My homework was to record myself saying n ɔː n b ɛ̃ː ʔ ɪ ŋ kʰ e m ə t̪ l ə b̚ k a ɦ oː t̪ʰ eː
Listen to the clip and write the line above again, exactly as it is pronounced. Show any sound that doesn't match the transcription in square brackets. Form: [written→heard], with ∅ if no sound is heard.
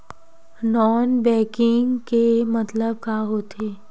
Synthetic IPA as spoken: n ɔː n b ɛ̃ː [ʔ→k] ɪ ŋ [kʰ→k] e m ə t̪ l ə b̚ k a ɦ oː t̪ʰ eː